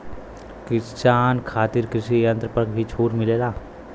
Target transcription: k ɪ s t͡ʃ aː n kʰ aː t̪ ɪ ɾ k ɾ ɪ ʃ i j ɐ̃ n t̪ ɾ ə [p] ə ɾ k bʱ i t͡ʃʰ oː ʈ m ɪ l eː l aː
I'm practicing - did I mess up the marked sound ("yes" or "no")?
no